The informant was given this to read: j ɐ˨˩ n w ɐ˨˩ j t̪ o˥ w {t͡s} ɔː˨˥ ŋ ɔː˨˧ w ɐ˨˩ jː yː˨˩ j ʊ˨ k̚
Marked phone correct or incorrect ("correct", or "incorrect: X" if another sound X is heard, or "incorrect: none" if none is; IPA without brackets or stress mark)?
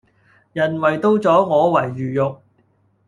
correct